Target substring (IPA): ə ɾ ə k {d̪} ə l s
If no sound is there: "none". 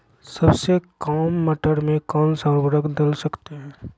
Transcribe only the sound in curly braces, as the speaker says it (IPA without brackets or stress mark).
d̪